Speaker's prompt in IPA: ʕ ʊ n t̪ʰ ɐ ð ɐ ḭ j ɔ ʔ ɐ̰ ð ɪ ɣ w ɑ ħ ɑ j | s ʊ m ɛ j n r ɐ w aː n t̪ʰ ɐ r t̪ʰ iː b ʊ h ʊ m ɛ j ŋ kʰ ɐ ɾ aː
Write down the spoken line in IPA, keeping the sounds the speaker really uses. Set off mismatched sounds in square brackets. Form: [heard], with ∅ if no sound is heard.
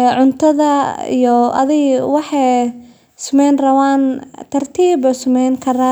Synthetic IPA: ʕ ʊ n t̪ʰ ɐ ð ɐ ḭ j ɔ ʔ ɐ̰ ð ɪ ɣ w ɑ ħ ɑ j | s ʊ m ɛ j n r ɐ w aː n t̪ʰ ɐ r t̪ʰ iː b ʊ [s] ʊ m ɛ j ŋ kʰ ɐ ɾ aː